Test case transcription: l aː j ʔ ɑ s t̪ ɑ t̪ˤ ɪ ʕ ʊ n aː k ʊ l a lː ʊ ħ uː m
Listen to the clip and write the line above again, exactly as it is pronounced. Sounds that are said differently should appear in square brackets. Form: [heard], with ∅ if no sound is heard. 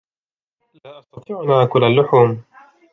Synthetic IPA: l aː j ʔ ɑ s t̪ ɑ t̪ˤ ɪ ʕ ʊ n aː k ʊ l a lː ʊ ħ uː m